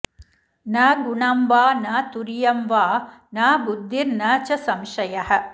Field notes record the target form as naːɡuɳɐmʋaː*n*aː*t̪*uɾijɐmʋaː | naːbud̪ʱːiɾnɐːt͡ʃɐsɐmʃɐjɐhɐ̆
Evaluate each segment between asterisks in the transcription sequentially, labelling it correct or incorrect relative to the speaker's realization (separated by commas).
correct, correct